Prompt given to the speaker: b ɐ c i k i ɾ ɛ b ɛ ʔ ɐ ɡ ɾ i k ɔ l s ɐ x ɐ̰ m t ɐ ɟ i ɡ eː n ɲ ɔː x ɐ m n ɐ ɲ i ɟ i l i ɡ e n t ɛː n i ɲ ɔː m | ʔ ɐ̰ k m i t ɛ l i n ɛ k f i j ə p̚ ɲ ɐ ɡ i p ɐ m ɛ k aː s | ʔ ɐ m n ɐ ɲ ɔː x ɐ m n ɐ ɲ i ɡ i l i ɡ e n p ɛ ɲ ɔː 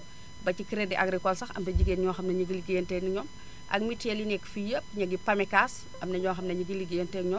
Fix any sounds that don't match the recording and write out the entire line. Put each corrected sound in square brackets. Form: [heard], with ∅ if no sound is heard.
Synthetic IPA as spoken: b ɐ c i k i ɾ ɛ [d] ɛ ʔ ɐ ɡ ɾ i k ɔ l s ɐ x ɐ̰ m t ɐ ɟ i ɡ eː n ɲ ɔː x ɐ m n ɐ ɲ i [ɡ] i l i ɡ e n t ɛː n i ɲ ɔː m | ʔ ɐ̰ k m i t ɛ l i n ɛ k f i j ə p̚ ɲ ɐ ɡ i p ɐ m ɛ k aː s | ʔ ɐ m n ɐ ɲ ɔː x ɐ m n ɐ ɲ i ɡ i l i ɡ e n [t] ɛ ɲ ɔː